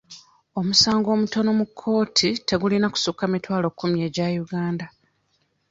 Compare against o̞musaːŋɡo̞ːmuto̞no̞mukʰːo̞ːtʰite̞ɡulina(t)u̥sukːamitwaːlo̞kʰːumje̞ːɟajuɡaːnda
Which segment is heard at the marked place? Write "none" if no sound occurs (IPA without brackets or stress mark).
k